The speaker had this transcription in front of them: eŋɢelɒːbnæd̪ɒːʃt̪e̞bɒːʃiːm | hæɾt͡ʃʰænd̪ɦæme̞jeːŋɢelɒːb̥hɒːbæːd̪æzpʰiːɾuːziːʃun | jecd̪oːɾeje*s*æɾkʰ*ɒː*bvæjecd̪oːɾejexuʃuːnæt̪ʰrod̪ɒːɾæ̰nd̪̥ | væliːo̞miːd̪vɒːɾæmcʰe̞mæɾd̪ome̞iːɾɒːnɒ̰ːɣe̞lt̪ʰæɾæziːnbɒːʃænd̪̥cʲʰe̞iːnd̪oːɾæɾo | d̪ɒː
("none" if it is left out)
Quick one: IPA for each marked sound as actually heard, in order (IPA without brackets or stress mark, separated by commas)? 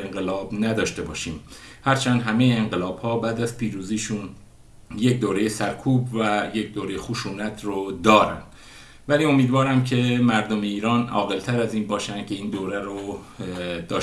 s, uː